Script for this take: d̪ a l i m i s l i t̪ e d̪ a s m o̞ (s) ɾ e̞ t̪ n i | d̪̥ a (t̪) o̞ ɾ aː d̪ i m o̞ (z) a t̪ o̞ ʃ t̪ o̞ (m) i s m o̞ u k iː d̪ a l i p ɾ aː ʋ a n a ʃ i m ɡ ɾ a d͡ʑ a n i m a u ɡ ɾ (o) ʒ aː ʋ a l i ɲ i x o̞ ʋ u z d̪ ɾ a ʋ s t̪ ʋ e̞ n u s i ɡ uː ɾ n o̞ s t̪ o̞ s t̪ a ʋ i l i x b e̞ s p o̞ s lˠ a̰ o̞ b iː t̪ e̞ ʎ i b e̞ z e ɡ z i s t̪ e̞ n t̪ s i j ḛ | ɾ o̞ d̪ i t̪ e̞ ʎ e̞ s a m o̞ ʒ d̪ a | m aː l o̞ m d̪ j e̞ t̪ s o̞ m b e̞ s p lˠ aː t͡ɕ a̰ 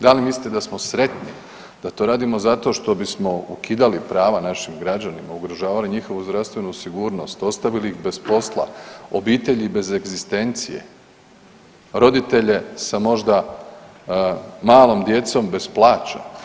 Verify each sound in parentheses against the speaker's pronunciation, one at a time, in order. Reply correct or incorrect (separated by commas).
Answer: correct, correct, correct, incorrect, correct